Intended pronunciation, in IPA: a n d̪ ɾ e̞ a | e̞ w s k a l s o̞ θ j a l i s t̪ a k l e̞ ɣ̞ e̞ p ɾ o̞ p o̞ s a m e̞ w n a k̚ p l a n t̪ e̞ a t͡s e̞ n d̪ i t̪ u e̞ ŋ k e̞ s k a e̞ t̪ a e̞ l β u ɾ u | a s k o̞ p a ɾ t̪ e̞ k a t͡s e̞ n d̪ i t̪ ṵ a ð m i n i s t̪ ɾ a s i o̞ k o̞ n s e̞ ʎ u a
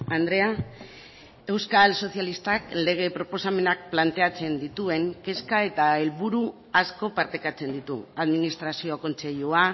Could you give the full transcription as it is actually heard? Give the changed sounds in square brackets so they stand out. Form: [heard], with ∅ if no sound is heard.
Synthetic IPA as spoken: a n d̪ ɾ e̞ a | e̞ w s k a l s o̞ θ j a l i s t̪ a k l e̞ ɣ̞ e̞ p ɾ o̞ p o̞ s a m e̞ [∅] n a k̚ p l a n t̪ e̞ a t͡s e̞ n d̪ i t̪ u e̞ ŋ k e̞ s k a e̞ t̪ a e̞ l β u ɾ u | a s k o̞ p a ɾ t̪ e̞ k a t͡s e̞ n d̪ i t̪ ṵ a ð m i n i s t̪ ɾ a s i o̞ k o̞ n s e̞ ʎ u a